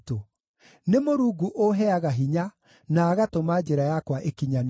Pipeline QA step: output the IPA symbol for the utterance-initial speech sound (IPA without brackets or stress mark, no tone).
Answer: t